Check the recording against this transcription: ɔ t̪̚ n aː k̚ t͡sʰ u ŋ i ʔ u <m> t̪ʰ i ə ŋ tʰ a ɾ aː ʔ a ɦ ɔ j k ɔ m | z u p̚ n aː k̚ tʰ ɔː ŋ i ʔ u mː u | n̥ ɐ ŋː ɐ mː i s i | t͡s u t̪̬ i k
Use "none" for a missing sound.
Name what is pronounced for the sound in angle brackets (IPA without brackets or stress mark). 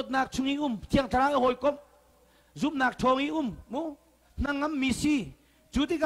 m